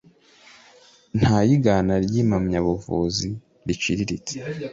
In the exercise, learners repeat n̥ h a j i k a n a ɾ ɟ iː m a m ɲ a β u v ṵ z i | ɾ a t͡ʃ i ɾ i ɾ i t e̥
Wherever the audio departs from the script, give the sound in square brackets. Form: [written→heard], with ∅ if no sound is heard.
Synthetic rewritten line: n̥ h a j i [k→ɡ] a n a ɾ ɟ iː m a m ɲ a β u v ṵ z i | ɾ [a→i] t͡ʃ i ɾ i ɾ i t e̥